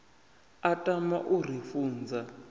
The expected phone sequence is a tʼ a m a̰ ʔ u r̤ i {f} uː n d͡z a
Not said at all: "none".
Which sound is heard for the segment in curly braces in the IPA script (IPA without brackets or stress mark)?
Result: f